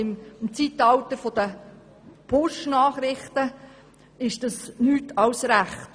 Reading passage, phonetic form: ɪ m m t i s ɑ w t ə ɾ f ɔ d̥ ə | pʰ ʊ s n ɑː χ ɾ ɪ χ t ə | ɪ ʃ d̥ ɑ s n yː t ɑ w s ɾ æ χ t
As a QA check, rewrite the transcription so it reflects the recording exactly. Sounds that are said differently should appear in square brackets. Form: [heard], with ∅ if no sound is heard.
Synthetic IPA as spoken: ɪ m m [t͡s] i [t] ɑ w t ə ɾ f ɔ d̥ ə | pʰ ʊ [ʃ] n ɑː χ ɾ ɪ χ t ə | ɪ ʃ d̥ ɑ s n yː t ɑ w s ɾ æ χ t